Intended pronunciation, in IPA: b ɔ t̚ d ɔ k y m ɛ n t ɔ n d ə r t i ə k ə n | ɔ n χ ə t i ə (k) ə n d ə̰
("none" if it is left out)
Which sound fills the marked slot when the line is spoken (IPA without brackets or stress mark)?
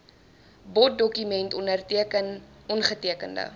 k